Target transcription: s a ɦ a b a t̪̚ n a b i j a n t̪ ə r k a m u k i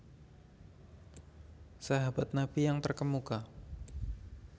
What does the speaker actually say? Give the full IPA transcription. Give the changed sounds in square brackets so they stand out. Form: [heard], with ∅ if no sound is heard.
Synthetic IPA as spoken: s a ɦ a b a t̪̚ n a b i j a [ŋ] t̪ ə r k [ə] m u k [a]